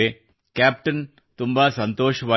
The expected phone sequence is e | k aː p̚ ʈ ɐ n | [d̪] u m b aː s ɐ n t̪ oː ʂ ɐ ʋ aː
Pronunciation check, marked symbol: incorrect: t̪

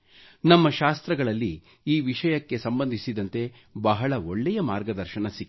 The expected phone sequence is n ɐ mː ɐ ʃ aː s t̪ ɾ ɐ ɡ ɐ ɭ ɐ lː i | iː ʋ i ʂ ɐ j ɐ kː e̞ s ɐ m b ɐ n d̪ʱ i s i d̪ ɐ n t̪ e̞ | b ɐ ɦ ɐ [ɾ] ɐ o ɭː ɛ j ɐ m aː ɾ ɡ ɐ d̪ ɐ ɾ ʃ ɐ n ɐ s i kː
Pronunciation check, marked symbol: incorrect: ɭ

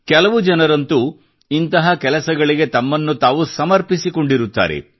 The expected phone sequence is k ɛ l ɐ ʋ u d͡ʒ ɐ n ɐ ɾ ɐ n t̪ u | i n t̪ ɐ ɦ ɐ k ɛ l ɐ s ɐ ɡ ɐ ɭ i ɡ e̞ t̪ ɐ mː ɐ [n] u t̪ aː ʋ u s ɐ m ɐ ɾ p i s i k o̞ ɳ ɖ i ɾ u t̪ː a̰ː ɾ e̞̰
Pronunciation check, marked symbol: incorrect: nː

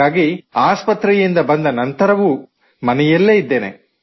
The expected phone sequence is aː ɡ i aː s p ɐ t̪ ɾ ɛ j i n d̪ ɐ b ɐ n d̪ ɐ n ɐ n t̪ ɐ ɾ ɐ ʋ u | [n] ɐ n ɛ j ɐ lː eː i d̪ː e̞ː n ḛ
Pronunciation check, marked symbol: incorrect: m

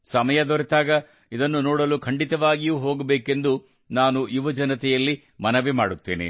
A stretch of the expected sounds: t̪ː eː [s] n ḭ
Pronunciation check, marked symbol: incorrect: none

